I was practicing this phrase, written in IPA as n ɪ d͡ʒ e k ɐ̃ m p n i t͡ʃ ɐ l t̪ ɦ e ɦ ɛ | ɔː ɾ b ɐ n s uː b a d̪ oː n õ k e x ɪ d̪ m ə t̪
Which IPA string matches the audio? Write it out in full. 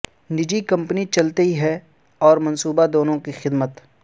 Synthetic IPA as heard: n ɪ d͡ʒ i k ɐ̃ m p n i t͡ʃ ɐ l t̪ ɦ i ɦ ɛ | ɔː ɾ m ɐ n s uː b a d̪ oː n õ k i x ɪ d̪ m ə t̪